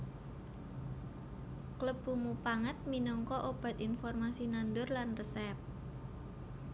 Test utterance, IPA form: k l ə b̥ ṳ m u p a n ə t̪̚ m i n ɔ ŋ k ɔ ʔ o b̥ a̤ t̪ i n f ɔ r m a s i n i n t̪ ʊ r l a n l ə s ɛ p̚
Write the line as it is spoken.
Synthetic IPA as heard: k l ə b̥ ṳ m u p a ŋ ə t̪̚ m i n ɔ ŋ k ɔ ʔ o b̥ a̤ t̪ i n f ɔ r m a s i n a n d̪ ʊ r l a n r ə s ɛ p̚